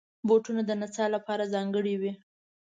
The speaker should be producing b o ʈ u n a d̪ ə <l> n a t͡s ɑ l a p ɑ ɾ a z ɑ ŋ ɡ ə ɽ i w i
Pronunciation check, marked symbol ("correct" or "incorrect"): incorrect